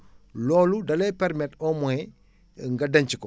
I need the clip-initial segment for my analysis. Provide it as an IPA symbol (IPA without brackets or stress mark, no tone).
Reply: l